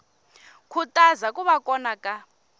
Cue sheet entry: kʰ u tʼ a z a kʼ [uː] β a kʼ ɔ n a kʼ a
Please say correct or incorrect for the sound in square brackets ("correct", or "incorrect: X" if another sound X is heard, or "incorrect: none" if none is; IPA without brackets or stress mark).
incorrect: u